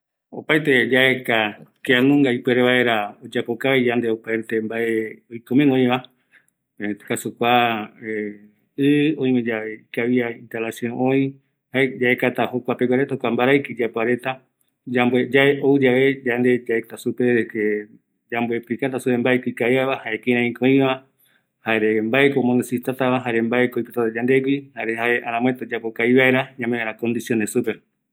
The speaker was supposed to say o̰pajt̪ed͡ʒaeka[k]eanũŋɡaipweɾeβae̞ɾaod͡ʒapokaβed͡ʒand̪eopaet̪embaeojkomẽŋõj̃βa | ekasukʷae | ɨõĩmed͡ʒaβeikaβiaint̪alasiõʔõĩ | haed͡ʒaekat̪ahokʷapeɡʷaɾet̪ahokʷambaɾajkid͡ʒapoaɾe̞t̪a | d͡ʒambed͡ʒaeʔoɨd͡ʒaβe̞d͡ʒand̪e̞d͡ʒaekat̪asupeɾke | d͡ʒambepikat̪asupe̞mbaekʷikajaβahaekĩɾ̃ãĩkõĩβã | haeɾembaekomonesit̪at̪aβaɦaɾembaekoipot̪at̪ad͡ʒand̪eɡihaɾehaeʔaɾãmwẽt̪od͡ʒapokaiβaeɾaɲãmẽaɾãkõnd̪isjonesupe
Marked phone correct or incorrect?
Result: correct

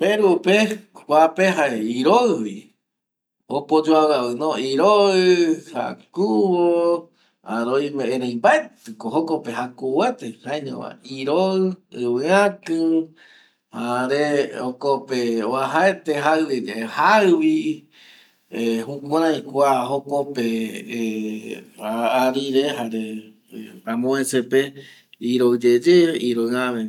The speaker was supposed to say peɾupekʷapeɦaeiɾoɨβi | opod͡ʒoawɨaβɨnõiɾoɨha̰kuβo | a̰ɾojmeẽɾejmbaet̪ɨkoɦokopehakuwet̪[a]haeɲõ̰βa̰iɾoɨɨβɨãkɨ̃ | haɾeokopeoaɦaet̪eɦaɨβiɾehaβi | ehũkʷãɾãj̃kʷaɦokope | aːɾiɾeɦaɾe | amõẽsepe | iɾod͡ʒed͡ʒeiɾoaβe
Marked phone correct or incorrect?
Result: incorrect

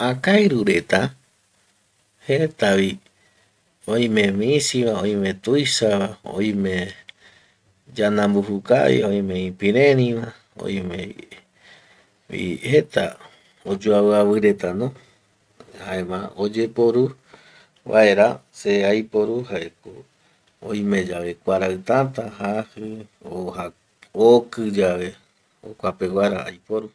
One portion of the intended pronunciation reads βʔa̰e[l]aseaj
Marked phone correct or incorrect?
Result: incorrect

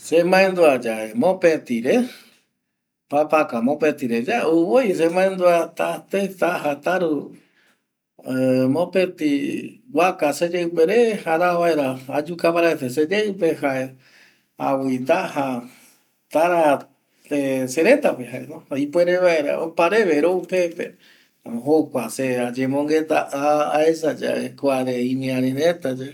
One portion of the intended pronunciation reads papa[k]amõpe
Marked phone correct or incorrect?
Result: correct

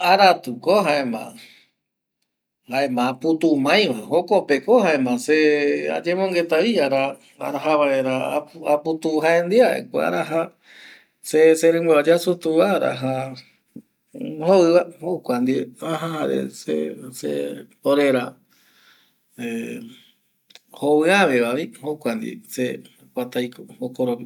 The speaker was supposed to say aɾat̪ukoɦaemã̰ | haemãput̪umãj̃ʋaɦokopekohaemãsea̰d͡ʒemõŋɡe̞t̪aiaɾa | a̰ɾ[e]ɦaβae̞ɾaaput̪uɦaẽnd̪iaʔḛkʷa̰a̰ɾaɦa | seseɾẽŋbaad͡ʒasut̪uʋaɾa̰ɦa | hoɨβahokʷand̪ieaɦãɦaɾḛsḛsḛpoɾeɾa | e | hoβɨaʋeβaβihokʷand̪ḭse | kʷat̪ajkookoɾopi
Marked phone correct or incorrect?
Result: incorrect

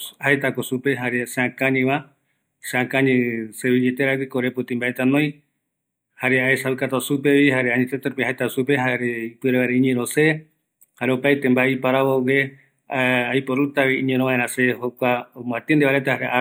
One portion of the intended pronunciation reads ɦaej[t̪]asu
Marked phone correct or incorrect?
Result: correct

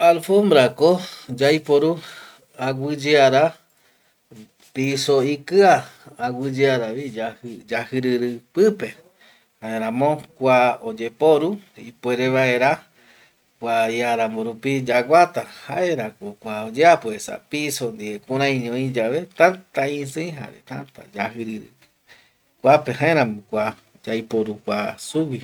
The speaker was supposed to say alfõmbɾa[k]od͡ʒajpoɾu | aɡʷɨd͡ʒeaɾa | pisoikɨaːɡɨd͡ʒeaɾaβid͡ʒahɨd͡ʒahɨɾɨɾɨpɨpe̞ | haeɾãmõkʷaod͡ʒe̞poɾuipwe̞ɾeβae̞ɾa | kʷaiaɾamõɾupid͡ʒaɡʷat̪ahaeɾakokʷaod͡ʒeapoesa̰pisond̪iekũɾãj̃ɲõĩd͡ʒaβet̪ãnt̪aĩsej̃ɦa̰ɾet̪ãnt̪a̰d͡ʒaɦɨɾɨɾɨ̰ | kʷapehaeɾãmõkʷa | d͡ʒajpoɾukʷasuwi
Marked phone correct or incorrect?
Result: correct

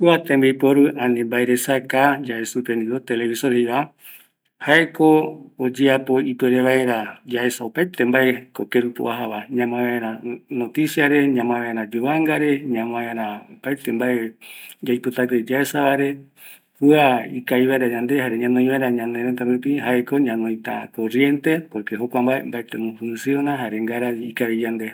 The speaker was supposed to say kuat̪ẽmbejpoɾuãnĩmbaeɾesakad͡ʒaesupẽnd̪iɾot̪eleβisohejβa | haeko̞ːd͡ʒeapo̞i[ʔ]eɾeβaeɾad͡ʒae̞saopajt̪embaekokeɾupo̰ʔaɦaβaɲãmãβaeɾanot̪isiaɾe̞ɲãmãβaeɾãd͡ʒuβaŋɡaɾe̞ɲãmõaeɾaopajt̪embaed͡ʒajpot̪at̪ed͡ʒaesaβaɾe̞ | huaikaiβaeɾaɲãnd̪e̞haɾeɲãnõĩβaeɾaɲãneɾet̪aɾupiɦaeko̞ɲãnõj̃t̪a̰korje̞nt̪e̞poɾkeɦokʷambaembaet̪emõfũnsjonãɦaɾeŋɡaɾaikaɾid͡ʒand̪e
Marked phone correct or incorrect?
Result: incorrect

